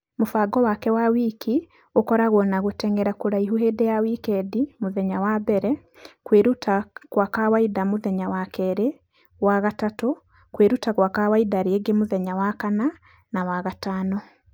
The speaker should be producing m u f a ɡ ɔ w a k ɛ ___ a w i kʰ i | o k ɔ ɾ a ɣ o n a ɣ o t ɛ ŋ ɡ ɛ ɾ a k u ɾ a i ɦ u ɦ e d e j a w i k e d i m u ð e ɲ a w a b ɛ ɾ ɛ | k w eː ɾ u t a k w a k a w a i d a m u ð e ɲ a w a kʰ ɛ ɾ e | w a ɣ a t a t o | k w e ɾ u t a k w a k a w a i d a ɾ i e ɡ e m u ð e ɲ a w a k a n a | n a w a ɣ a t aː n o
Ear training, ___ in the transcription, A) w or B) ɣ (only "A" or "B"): A